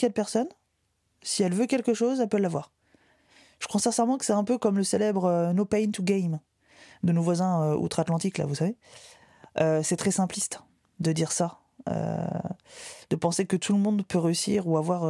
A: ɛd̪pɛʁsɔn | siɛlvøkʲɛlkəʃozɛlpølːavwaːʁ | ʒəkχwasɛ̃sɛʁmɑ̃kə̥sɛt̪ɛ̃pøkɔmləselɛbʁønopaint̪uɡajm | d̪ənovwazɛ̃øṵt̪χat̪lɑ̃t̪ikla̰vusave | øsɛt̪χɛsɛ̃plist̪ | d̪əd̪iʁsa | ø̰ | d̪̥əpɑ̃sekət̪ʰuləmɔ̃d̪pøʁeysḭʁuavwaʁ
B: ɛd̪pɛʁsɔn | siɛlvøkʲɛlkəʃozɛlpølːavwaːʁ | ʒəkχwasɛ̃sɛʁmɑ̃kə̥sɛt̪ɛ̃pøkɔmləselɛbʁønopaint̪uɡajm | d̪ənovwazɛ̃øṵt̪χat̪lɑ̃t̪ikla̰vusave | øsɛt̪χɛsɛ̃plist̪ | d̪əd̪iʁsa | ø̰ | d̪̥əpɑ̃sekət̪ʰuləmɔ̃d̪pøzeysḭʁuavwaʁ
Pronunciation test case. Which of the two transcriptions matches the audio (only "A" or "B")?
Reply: A